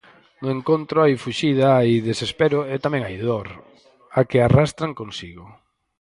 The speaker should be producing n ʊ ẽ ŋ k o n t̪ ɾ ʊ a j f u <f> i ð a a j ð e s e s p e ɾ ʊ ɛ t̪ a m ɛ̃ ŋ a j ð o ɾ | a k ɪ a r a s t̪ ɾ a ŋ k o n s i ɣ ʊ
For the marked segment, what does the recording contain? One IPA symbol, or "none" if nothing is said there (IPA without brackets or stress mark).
ʃ